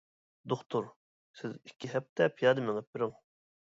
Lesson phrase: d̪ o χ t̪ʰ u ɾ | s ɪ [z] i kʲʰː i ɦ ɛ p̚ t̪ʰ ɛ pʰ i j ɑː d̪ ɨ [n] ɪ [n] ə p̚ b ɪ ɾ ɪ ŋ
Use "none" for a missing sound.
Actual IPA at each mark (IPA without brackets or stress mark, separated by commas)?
z, m, ŋ